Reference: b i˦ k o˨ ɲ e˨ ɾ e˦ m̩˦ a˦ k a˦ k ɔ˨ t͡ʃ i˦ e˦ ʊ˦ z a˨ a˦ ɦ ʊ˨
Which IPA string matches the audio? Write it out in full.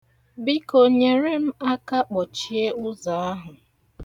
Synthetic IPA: b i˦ k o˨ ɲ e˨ ɾ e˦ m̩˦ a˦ k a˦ k͡p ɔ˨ t͡ʃ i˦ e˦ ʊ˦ z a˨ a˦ ɦ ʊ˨